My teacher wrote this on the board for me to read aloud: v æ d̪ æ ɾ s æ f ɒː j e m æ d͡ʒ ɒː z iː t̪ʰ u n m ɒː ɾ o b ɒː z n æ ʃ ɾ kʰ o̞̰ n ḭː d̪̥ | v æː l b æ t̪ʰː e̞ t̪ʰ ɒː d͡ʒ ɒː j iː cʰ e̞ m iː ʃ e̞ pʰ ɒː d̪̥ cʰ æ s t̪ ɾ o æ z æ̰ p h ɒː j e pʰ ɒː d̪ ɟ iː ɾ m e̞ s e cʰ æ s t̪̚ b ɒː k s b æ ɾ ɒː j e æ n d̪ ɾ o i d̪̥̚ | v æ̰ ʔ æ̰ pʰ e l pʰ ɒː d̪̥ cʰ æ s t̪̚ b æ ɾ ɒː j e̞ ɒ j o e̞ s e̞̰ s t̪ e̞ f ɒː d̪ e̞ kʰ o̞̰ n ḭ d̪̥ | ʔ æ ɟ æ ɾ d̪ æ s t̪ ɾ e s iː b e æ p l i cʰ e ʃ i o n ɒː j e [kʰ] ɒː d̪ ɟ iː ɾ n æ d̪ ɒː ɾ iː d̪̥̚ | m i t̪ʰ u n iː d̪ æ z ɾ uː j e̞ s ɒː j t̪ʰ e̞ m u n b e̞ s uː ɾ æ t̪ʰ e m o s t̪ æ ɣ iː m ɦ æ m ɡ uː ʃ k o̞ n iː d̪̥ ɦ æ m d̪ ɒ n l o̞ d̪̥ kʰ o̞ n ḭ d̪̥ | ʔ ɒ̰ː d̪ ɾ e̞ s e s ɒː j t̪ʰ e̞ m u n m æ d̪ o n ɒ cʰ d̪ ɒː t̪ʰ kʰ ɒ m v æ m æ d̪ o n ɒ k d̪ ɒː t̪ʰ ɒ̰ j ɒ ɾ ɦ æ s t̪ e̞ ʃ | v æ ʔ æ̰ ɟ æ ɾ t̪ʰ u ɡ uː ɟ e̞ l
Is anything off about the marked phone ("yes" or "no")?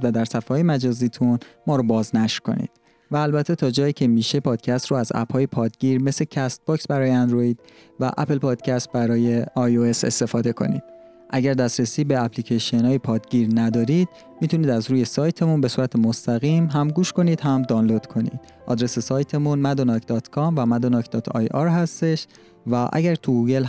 yes